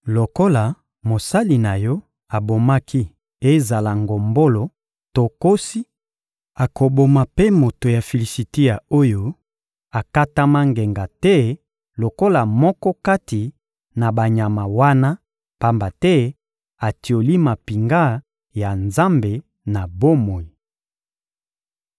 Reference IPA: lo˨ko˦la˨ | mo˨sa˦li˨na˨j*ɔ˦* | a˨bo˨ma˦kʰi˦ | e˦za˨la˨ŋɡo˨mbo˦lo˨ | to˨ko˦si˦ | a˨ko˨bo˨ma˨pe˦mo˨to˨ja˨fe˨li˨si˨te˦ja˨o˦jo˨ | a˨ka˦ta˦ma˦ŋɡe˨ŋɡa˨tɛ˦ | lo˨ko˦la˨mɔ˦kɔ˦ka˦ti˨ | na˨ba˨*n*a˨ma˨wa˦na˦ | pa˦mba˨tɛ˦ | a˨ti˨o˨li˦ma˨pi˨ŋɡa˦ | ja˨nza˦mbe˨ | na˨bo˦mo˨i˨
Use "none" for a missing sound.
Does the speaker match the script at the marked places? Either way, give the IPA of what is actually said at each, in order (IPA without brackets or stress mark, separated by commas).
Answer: ɔ˦, ɲ